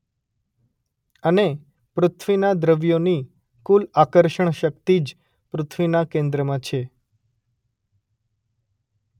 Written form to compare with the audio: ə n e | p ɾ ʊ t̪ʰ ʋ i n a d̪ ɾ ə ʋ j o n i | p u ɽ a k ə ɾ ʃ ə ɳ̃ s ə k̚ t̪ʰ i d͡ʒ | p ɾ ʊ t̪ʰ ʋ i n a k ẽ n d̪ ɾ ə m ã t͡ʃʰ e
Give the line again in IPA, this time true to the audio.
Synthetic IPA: ə n e | p ɾ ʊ t̪ʰ ʋ i n a d̪ ɾ ə ʋ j o n i | k u l a k ə ɾ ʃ ə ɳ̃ ʃ ə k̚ t̪ i d͡ʒ | p ɾ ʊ t̪ʰ ʋ i n a k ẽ n d̪ ɾ ə m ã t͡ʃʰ e